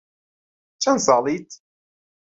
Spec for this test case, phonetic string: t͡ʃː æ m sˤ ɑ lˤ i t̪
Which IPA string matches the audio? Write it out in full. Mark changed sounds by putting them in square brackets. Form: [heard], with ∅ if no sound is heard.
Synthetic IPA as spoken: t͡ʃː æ [n] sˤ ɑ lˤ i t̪